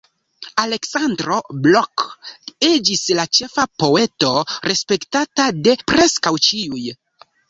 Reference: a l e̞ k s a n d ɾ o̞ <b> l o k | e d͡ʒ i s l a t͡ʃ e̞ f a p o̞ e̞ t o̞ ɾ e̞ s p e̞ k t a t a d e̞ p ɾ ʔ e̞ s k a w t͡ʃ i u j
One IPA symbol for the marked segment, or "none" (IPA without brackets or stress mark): b